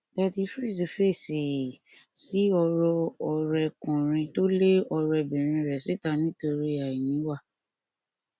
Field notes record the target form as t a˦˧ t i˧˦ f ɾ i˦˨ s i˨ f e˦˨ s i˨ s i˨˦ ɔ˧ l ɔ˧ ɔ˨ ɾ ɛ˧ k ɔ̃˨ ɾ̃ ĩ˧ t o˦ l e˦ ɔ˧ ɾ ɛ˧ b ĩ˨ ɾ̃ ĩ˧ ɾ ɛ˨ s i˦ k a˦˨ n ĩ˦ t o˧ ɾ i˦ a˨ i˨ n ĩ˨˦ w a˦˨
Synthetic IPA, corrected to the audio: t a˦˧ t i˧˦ f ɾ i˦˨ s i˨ f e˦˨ s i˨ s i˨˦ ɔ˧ ɾ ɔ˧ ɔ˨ ɾ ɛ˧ k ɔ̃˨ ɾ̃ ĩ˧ t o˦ l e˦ ɔ˧ ɾ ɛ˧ b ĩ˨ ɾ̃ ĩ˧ ɾ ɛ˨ s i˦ t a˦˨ n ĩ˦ t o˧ ɾ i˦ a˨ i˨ n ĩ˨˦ w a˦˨